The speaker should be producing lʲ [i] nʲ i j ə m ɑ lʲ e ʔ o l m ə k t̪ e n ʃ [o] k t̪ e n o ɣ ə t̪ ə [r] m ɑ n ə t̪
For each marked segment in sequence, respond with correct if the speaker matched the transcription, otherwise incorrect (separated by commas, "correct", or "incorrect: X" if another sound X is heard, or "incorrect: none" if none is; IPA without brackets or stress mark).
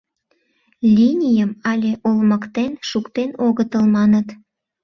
correct, incorrect: u, incorrect: l